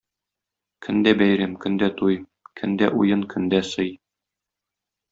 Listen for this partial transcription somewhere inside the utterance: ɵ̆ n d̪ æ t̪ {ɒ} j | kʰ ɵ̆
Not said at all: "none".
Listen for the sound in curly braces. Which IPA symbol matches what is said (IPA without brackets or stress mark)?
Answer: u